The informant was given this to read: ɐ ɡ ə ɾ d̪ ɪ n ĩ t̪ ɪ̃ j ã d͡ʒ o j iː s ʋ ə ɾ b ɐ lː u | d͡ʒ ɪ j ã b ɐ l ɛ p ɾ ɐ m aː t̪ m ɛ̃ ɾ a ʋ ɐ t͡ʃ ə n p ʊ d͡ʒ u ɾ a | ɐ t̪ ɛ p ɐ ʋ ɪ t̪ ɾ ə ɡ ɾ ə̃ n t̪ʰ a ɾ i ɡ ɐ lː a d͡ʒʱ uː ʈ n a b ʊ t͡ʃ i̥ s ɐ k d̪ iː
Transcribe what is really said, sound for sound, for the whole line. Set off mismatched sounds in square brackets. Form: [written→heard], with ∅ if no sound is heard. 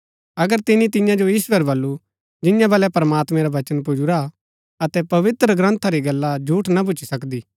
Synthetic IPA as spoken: ɐ ɡ ə ɾ [d̪→t̪] ɪ n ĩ t̪ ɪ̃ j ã d͡ʒ o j iː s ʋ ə ɾ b ɐ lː u | d͡ʒ ɪ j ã b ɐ l ɛ p ɾ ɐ m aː t̪ m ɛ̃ ɾ a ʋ ɐ t͡ʃ ə n p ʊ d͡ʒ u ɾ a | ɐ t̪ ɛ p ɐ ʋ ɪ t̪ ɾ ə ɡ ɾ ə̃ n t̪ʰ a ɾ i ɡ ɐ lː a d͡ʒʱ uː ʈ n a b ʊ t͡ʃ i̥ s ɐ k d̪ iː